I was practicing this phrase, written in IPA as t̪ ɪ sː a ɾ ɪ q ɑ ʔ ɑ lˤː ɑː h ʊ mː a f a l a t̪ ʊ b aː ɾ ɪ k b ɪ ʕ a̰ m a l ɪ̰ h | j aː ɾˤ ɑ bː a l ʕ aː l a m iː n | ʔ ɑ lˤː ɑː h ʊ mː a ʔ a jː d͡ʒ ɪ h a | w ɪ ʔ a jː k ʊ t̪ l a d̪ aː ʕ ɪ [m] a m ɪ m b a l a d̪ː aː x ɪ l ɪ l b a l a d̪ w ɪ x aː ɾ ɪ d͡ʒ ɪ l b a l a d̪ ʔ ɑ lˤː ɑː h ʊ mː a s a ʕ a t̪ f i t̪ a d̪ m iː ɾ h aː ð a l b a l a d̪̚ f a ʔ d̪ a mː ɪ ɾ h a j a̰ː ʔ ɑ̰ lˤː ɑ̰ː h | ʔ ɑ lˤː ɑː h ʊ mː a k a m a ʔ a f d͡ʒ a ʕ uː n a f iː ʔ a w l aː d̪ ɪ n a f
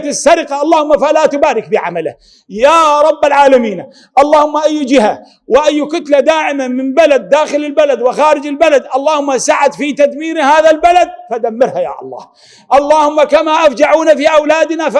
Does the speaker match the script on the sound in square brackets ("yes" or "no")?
yes